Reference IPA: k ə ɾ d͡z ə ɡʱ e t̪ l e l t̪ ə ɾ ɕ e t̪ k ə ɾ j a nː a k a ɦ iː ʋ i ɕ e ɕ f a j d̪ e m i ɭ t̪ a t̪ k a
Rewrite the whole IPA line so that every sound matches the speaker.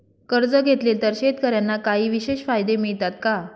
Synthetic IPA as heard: k ə ɾ d͡z ə ɡʱ e t̪ l e l t̪ ə ɾ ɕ e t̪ k ə ɾ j a nː a k a ɦ iː ʋ i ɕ e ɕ f a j d̪ e m i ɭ t̪ a t̪ k a